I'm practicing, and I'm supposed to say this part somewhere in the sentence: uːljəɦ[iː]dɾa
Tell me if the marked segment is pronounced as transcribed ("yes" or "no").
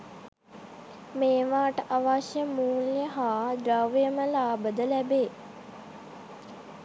no